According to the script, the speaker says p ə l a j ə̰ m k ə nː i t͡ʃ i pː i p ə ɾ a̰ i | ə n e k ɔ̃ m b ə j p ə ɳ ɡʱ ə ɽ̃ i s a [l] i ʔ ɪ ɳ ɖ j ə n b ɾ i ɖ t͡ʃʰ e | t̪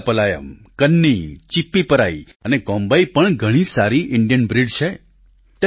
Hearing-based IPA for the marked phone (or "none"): ɾ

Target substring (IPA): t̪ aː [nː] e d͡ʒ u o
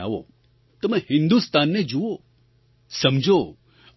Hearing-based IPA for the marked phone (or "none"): nː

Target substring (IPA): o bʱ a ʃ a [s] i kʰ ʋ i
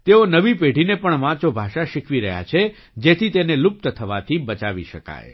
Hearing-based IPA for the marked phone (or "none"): ʃ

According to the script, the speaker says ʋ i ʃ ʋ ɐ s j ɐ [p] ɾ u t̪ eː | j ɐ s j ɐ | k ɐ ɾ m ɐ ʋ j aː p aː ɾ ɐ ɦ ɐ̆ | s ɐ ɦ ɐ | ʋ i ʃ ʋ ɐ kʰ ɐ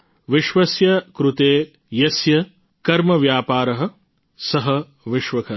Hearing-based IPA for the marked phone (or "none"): k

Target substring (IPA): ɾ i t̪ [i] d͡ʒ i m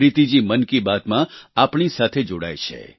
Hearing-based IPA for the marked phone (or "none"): i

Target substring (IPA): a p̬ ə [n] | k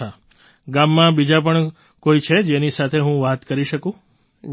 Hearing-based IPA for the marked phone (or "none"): ɳ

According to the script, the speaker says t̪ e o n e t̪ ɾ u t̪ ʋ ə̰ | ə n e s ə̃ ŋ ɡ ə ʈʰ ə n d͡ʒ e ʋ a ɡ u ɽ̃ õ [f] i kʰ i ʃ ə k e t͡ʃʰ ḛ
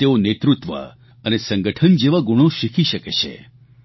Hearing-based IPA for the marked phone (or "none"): ʃ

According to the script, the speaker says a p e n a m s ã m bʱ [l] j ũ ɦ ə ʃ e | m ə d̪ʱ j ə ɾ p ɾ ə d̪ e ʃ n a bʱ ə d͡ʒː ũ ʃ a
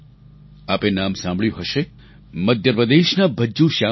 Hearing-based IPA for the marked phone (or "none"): ɭ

